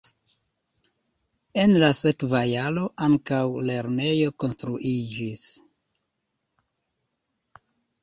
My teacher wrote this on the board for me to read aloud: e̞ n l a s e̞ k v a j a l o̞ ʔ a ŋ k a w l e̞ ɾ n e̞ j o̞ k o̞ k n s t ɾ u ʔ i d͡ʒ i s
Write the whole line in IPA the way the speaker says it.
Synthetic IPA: e̞ n l a s e̞ k v a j a l o̞ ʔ a ŋ k a w l e̞ ɾ n e̞ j o̞ k o̞ n s t ɾ u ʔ i d͡ʒ i s